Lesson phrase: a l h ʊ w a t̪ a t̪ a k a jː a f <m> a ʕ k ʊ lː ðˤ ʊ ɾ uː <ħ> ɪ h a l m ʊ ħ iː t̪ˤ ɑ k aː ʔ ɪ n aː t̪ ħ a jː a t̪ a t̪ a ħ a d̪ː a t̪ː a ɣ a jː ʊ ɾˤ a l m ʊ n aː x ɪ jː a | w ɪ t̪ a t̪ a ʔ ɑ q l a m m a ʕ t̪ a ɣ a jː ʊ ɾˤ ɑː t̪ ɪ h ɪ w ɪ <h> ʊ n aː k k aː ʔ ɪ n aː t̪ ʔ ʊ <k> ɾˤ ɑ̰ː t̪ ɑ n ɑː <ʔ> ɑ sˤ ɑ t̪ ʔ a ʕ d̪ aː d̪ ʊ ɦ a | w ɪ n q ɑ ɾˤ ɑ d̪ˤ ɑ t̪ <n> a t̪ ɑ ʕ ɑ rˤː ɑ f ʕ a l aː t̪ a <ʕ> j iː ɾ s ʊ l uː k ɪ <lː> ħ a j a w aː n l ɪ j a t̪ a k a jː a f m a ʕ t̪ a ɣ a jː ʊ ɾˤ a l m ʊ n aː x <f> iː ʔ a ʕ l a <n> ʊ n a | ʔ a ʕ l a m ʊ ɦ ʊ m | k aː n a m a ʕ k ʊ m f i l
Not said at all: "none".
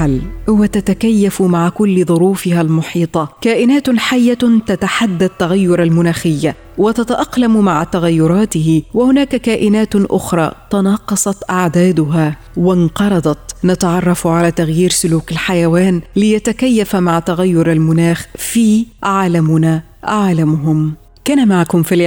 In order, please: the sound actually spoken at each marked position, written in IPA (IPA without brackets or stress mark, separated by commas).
m, f, h, x, q, n, ɣ, l, f, m